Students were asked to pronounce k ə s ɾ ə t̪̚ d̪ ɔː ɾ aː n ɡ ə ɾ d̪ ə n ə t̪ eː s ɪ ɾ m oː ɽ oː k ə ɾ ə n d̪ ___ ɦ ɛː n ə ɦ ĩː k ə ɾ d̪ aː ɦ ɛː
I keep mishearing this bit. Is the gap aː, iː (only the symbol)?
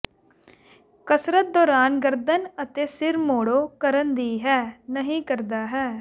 iː